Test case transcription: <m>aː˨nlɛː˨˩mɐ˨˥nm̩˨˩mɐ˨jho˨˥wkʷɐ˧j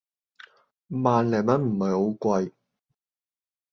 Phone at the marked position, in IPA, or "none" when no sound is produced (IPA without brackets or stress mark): m